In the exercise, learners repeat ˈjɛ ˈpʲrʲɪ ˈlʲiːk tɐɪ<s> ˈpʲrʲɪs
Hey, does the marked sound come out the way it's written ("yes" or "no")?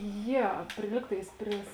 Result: yes